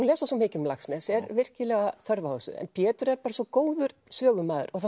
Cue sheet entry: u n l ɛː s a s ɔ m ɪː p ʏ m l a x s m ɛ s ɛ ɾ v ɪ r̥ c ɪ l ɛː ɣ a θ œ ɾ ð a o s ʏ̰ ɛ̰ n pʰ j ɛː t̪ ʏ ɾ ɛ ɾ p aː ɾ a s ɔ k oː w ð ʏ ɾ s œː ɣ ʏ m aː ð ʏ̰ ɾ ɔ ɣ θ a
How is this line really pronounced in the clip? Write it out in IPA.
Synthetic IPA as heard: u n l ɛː s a s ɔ m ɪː c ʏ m l a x s m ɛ s ɛ ɾ v ɪ r̥ c ɪ l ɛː ɣ a θ œ ɾ v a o s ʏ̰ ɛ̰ n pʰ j ɛː t̪ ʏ ɾ ɛ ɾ p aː ɾ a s ɔ k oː w ð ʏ ɾ s œː ɣ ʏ m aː ð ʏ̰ ɾ ɔ ɣ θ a